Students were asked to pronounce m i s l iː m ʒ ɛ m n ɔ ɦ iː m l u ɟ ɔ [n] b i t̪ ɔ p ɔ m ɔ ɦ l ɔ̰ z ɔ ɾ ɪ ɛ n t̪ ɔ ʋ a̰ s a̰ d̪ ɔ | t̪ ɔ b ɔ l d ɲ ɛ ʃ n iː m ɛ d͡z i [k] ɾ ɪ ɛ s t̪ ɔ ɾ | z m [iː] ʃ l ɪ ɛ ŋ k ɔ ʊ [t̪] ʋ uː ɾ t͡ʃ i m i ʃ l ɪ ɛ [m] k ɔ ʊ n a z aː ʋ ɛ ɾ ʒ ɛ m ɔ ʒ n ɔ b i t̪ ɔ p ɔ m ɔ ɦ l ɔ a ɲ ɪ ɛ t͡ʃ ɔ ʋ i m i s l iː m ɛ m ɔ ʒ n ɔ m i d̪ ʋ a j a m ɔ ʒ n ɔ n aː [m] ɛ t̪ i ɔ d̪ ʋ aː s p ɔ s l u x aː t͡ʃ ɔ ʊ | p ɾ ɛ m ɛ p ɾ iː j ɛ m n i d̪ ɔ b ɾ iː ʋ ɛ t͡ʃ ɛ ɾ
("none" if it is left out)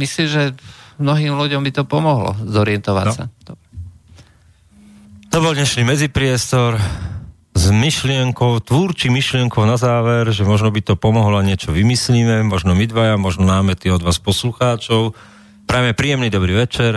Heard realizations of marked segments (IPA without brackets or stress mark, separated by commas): m, p, i, t̪, ŋ, m